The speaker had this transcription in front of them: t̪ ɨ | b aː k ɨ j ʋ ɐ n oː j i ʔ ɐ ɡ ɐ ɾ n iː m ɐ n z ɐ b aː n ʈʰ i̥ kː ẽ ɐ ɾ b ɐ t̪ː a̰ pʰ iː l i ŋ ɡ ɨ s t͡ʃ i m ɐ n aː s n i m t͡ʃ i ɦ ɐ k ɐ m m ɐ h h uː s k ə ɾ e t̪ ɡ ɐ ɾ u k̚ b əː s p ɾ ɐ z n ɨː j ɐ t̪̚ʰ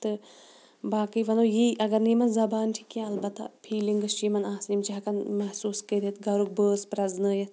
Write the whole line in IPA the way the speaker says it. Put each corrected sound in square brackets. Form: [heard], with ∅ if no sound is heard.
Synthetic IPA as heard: t̪ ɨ | b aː k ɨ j ʋ ɐ n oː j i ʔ ɐ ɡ ɐ ɾ n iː m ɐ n z ɐ b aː n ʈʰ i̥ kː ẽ ɐ [l] b ɐ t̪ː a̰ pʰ iː l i ŋ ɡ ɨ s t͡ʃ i m ɐ n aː s n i m t͡ʃ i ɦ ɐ k ɐ [n] m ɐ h [s] uː s k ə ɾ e t̪ ɡ ɐ ɾ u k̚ b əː s p ɾ ɐ z n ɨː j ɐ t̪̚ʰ